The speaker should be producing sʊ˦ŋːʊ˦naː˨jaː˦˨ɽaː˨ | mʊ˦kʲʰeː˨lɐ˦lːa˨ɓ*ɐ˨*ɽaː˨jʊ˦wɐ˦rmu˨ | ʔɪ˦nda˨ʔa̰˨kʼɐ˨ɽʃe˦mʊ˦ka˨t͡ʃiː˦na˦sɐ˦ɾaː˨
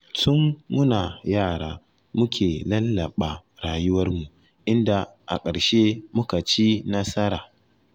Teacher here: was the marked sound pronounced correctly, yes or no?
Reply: no